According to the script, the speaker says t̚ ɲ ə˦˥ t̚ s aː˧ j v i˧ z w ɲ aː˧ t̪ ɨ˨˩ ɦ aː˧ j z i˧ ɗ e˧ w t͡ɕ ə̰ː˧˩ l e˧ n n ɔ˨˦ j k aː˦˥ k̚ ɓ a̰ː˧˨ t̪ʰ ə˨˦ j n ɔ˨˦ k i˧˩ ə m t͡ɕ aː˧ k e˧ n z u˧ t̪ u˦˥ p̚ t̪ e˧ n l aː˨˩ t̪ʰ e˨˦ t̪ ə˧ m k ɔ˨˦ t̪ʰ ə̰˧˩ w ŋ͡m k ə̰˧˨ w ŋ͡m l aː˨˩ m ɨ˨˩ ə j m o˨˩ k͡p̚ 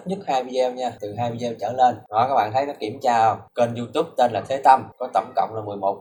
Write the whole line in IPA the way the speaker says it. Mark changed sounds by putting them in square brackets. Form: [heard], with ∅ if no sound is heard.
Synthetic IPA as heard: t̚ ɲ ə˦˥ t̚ [h] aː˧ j v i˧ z w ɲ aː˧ t̪ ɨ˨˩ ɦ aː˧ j [v] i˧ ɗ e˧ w t͡ɕ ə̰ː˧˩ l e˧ n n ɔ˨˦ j k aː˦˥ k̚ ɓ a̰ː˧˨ t̪ʰ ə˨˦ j n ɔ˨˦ k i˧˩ ə m t͡ɕ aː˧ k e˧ n z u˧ t̪ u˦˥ p̚ t̪ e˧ n l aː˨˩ t̪ʰ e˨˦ t̪ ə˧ m k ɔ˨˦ [t̪] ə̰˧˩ w ŋ͡m k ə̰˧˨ w ŋ͡m l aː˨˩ m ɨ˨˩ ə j m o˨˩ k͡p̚